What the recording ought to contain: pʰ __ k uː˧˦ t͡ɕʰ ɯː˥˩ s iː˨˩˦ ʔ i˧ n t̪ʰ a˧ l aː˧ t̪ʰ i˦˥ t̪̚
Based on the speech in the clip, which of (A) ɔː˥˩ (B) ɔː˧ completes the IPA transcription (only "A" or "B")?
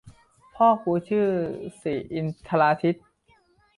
A